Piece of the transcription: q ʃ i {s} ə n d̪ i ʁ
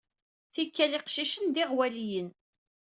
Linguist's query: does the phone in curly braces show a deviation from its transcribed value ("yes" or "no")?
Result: yes